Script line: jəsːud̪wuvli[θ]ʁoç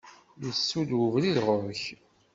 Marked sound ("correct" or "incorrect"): incorrect